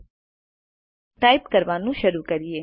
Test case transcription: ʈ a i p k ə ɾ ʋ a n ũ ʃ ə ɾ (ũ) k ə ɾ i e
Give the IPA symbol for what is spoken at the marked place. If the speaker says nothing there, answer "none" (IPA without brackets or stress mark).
u